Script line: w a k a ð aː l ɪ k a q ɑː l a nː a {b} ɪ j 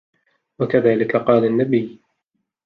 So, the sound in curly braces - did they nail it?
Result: yes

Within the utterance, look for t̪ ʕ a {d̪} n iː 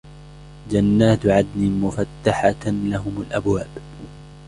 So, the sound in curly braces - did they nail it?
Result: yes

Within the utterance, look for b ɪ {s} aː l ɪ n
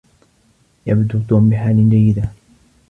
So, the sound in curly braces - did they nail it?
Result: no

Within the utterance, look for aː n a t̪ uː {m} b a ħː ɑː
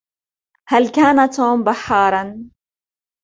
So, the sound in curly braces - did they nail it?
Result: yes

